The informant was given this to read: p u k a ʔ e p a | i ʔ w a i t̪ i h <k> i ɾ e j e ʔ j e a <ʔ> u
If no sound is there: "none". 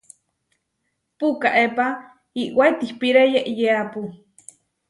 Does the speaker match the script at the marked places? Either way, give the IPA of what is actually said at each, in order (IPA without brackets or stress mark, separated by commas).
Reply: p, p